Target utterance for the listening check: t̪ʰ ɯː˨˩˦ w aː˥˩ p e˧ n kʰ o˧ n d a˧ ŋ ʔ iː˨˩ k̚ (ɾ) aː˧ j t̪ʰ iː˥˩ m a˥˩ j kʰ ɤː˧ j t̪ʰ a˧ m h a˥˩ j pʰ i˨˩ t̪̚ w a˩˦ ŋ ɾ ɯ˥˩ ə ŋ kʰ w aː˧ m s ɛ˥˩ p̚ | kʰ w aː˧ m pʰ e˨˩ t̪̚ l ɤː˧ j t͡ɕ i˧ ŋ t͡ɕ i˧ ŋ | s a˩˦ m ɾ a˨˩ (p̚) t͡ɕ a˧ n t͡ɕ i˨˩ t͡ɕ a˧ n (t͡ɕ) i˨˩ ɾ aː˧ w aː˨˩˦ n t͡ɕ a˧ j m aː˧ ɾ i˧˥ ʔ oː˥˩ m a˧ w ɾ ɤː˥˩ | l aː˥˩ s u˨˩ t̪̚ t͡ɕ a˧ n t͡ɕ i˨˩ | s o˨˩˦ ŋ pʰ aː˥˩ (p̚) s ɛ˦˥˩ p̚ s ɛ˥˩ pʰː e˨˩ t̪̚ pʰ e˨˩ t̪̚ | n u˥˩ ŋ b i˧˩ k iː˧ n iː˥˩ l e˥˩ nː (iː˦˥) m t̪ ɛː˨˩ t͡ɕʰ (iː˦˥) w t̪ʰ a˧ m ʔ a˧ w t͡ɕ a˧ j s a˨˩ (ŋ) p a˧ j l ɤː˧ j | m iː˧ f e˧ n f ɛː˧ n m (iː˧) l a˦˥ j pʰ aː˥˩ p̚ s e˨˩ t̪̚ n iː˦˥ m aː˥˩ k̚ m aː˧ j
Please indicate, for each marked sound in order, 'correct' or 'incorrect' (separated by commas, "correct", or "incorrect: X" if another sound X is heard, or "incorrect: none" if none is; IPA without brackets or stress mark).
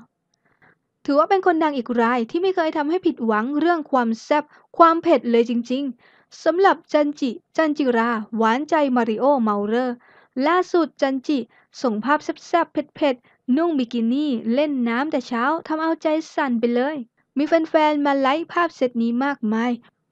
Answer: correct, correct, correct, correct, incorrect: aː˦˥, incorrect: aː˦˥, incorrect: n, incorrect: aː˧